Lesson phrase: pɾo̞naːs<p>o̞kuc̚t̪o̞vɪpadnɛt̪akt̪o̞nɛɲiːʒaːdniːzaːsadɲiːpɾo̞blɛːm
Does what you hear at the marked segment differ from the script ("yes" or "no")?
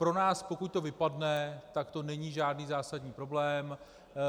no